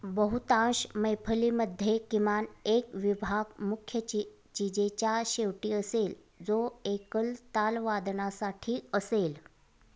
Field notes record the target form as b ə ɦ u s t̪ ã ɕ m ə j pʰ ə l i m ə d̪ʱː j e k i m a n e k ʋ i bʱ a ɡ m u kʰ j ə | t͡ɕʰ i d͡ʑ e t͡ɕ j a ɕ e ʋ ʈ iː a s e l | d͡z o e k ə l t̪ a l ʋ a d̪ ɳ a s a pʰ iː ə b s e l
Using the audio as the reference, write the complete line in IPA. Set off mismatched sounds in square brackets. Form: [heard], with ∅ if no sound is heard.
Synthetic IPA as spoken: b ə ɦ u [∅] t̪ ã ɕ m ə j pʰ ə l i m ə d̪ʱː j e k i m a n e k ʋ i bʱ a ɡ m u kʰ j ə | [t͡ɕ] i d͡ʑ e t͡ɕ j a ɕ e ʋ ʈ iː [ə] s e l | d͡z o e k ə l t̪ a l ʋ a d̪ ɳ a s a [ʈʰ] iː ə [∅] s e l